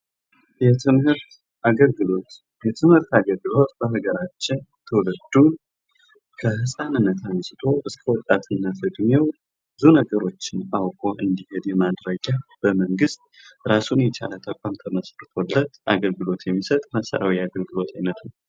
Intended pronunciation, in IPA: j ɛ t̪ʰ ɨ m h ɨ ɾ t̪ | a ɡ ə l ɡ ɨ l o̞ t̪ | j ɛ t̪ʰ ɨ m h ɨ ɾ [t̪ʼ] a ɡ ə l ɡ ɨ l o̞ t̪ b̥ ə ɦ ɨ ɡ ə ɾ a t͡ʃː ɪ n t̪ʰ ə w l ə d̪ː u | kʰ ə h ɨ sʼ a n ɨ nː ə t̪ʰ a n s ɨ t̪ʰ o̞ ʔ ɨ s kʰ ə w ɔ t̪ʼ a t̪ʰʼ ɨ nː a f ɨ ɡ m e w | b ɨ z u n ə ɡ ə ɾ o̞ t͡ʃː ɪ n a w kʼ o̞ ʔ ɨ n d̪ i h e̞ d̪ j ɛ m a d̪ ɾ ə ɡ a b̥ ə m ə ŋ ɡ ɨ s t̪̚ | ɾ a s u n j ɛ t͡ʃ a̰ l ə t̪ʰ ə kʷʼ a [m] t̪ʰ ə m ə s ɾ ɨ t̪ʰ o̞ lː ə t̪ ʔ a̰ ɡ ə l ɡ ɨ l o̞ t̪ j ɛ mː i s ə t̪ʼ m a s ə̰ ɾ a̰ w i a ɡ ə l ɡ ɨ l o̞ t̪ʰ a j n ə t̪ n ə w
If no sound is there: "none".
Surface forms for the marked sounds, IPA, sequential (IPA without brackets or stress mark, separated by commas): t̪, m